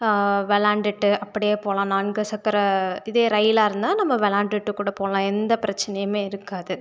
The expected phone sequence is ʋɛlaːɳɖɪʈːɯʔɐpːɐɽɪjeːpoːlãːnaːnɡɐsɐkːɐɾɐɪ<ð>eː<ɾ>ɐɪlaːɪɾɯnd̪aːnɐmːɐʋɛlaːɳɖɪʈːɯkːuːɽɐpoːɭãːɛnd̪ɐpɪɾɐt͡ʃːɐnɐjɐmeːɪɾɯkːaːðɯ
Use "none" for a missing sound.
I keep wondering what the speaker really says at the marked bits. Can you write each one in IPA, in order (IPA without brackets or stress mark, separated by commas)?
ð, ɾ